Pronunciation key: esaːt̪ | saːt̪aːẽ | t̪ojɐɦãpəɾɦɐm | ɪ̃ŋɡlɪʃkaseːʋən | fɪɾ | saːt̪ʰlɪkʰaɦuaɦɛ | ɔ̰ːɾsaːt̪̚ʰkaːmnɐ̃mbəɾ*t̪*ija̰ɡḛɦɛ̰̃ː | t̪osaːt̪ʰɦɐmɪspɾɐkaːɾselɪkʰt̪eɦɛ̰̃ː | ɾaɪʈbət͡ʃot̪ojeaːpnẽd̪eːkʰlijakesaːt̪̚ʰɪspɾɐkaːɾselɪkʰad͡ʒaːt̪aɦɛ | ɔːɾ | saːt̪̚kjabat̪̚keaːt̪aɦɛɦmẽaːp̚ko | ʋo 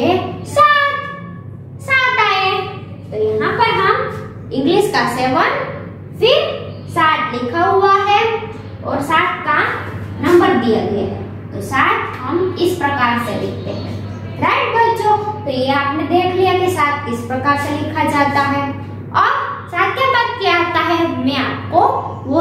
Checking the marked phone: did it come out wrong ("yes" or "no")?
yes